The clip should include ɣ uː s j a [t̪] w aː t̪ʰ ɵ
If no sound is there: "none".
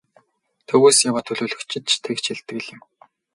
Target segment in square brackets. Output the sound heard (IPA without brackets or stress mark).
none